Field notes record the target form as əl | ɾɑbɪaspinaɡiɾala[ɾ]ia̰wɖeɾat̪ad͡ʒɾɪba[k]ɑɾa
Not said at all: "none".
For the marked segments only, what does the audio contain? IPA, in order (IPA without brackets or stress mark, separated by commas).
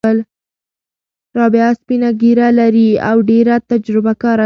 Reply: ɾ, k